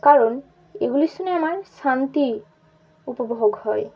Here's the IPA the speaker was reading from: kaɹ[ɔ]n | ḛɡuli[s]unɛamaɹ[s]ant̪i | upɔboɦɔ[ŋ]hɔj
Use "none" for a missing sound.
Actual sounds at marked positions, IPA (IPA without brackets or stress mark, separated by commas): ɔ, s, s, ɡ